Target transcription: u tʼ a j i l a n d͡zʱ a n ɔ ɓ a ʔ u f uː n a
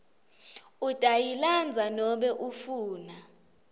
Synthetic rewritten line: u tʼ a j i l a n d͡zʱ a n ɔ ɓ ɛ ʔ u f uː n a